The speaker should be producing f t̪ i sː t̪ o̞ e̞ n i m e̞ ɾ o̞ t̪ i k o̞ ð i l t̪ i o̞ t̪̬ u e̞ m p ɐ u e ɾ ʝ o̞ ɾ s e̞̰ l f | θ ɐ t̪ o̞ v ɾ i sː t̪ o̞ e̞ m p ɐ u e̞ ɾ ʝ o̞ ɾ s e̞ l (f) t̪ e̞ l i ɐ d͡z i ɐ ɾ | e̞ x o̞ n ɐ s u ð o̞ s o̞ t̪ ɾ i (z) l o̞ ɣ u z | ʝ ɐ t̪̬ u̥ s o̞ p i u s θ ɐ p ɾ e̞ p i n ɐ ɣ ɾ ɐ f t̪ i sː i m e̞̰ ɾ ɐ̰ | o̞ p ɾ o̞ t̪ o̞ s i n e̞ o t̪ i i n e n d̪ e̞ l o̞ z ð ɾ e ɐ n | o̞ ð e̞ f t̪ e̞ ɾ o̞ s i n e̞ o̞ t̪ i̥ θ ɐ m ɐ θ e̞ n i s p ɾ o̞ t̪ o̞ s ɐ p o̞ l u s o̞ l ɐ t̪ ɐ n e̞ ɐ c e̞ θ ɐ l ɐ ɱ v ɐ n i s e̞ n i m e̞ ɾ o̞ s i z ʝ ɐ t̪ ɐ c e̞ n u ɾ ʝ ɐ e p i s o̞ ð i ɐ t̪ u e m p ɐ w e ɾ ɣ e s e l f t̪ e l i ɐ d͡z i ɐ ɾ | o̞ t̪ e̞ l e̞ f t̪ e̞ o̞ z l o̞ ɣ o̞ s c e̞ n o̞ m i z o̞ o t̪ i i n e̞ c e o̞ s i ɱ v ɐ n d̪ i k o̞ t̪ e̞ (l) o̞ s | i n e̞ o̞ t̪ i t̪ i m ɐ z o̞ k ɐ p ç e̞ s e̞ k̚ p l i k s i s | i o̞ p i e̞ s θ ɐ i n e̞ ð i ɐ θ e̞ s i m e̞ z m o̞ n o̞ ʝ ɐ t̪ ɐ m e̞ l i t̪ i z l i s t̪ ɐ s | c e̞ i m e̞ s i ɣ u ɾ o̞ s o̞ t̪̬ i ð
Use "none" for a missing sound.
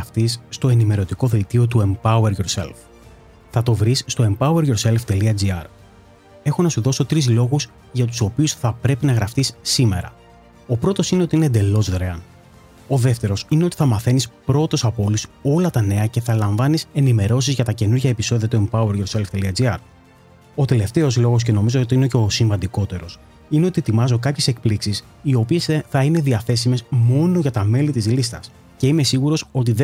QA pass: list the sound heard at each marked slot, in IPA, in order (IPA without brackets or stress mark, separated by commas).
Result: f, z, ɾ